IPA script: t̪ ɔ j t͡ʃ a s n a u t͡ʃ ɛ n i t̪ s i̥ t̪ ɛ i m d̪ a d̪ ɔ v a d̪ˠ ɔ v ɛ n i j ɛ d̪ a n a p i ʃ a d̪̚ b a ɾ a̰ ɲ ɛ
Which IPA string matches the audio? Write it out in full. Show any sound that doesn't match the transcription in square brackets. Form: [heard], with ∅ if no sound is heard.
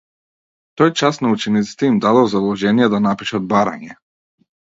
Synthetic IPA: t̪ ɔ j t͡ʃ a s n a u t͡ʃ ɛ n i t̪ s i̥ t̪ ɛ i m d̪ a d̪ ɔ [z] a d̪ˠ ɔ [ʒ] ɛ n i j ɛ d̪ a n a p i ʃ a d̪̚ b a ɾ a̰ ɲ ɛ